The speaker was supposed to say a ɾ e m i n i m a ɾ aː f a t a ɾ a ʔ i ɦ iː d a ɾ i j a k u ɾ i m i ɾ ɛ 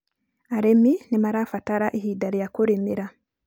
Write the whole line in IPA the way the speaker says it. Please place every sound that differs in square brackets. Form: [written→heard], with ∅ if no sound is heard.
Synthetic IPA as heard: a ɾ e m i n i m a ɾ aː f a t a ɾ a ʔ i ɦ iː d a ɾ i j a k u ɾ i m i ɾ [ɛ→a]